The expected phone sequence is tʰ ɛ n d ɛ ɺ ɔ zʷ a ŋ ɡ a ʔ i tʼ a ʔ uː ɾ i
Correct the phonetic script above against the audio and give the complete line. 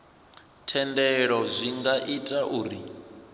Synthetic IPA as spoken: tʰ ɛ n d ɛ ɺ ɔ zʷ i ŋ ɡ a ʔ i tʼ a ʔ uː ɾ i